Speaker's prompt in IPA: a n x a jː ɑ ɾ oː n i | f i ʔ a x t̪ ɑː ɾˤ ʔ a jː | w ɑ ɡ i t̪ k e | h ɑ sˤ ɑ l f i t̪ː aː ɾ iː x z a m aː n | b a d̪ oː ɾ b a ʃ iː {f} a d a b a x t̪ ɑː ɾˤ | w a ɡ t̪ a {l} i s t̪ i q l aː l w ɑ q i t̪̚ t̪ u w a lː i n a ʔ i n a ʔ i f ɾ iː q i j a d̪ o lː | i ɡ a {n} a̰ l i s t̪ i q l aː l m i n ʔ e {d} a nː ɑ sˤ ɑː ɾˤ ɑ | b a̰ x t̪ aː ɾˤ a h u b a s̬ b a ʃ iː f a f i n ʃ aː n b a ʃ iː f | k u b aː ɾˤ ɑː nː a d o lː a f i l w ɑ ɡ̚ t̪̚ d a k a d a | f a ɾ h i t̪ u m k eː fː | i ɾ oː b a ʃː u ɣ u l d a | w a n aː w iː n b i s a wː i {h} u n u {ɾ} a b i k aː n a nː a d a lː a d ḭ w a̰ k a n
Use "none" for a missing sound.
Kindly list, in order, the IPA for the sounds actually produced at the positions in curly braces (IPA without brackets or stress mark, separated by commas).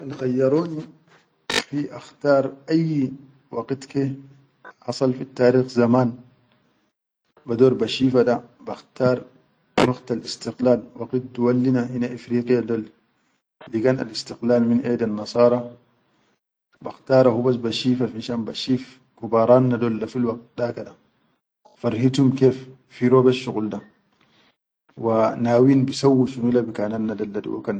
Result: f, l, n, d, ʃ, l